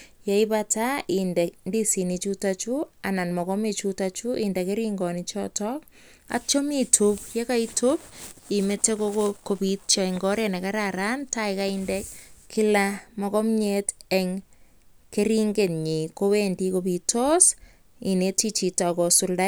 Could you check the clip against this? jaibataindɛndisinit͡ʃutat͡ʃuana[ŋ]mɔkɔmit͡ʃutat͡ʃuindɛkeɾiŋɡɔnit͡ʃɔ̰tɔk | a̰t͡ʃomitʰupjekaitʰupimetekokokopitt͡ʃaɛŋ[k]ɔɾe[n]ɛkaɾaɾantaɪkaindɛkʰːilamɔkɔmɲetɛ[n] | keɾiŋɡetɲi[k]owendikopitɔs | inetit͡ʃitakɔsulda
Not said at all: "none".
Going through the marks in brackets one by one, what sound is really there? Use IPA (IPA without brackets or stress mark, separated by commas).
n, ɡ, n, ŋ, k